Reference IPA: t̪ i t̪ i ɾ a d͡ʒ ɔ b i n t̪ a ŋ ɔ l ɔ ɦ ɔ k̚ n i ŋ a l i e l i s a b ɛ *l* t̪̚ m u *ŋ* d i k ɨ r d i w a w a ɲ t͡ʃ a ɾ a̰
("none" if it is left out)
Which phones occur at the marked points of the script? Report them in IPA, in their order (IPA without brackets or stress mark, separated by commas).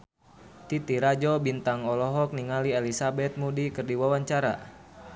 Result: none, none